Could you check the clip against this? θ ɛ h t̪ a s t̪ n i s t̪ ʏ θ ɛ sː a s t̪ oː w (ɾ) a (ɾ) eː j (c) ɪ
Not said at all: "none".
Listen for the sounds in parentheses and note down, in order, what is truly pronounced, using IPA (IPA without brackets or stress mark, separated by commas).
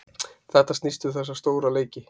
ɾ, l, c